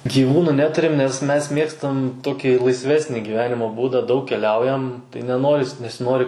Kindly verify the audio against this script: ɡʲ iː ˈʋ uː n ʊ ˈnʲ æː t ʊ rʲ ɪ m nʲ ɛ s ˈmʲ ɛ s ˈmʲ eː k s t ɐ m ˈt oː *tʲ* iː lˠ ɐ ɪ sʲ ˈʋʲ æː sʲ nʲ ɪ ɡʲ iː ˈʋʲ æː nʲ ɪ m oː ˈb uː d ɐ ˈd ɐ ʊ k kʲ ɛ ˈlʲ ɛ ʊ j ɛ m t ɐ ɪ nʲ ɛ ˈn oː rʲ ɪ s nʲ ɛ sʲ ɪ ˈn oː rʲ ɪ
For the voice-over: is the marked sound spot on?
no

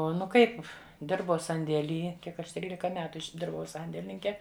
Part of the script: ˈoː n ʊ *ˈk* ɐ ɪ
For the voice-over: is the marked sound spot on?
yes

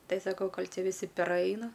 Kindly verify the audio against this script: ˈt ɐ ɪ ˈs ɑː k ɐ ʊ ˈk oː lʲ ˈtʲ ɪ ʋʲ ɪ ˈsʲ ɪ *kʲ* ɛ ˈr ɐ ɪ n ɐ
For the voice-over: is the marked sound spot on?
no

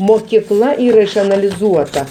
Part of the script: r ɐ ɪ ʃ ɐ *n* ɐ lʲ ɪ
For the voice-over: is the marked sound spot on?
yes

